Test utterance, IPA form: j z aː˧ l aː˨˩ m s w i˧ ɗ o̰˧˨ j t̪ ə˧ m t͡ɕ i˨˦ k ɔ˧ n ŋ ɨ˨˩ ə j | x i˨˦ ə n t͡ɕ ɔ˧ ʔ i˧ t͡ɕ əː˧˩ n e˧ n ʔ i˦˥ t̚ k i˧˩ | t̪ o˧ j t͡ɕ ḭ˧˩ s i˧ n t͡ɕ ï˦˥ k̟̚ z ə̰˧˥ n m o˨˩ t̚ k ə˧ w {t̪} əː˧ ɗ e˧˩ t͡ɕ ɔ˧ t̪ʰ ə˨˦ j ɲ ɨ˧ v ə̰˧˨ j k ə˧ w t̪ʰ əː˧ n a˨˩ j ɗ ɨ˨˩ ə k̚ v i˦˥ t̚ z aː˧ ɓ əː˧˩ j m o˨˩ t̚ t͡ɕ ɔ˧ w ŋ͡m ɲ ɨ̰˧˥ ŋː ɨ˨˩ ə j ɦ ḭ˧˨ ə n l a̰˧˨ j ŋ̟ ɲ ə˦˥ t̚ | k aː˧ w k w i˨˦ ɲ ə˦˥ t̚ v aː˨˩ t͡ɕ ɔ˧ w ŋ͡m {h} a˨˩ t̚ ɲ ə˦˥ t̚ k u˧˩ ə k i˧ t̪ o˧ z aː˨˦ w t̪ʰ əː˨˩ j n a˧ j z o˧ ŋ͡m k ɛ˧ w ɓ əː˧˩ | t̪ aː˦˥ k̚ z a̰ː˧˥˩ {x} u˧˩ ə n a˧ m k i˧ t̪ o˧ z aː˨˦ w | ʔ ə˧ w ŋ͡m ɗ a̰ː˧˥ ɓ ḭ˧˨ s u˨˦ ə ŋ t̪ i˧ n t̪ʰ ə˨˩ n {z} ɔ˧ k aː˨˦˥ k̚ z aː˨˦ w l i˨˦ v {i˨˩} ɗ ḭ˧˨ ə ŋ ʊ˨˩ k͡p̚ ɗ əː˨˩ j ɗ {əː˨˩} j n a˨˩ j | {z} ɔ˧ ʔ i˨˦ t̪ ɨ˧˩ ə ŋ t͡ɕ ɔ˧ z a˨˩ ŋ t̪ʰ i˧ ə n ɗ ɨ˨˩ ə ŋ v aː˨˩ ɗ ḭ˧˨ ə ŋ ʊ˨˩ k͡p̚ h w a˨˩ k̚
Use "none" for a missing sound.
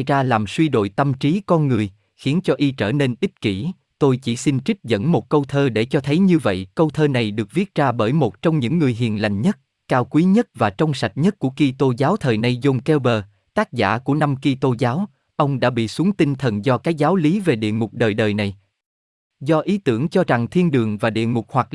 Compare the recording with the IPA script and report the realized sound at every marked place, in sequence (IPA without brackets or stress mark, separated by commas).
t̪ʰ, s, k, z, e˨˩, əː˨˩, z